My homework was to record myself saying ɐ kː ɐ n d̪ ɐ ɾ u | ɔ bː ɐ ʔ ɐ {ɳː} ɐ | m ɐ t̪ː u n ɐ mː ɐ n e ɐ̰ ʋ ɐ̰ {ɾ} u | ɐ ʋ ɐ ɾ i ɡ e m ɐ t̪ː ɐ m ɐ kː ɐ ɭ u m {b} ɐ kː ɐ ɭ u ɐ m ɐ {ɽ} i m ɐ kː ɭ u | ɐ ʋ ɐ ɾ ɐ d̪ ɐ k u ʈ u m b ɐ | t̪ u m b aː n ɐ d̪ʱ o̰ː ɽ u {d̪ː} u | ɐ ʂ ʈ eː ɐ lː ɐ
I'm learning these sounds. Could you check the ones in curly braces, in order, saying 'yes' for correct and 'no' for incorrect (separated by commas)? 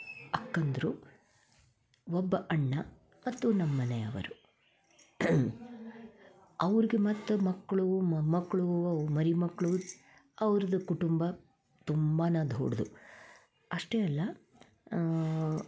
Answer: yes, yes, no, no, no